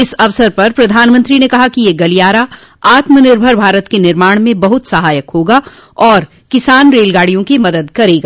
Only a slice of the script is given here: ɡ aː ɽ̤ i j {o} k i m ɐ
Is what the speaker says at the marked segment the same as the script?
no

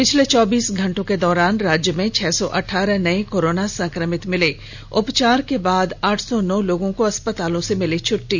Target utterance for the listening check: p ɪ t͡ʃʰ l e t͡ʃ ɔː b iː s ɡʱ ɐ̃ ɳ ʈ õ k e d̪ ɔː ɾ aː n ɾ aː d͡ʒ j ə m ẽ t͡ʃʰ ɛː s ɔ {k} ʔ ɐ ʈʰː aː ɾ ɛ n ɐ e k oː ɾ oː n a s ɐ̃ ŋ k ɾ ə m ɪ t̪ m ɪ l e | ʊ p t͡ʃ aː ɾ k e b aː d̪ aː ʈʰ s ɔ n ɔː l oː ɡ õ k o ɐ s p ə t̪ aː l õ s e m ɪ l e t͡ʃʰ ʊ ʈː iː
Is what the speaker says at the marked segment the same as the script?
no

